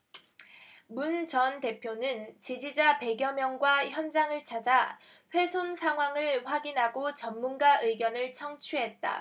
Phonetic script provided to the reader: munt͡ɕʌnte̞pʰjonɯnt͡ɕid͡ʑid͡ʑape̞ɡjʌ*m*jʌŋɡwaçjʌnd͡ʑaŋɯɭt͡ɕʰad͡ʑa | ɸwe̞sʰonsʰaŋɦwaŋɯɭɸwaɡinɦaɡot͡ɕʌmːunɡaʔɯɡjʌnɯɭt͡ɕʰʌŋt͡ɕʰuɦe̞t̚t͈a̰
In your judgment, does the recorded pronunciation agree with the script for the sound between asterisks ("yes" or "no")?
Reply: yes